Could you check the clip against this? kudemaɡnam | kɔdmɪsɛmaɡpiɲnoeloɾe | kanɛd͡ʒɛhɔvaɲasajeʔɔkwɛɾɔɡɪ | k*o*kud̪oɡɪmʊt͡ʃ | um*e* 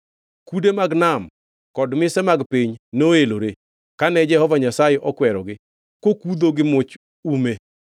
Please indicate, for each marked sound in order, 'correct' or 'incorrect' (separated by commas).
correct, correct